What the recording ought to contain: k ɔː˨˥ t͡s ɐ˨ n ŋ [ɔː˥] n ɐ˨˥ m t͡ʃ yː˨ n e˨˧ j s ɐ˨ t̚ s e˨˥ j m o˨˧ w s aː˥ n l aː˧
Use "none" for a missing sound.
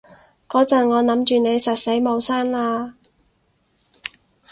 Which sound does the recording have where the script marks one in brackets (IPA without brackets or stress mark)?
ɔː˨˧